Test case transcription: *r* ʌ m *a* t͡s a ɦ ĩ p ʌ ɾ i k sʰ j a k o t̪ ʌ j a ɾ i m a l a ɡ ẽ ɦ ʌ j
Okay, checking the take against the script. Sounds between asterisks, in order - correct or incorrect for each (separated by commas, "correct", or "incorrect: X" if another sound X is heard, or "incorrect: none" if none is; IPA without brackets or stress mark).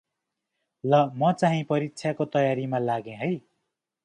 incorrect: l, incorrect: ʌ